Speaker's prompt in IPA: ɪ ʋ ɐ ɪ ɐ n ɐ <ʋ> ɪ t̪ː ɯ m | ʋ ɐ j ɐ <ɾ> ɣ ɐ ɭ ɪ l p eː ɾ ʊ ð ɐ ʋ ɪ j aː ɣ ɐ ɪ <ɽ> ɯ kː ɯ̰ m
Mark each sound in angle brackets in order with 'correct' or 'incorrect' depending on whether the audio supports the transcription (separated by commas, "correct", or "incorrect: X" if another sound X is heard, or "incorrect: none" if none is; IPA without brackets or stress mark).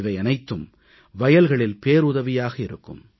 incorrect: none, incorrect: l, incorrect: ɾ